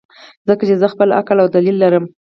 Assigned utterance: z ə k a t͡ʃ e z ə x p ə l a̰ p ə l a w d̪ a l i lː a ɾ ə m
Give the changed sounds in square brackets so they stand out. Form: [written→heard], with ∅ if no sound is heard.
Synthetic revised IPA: z ə k a t͡ʃ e z ə x p ə l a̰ [p→k] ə l a w d̪ a l i lː a ɾ ə m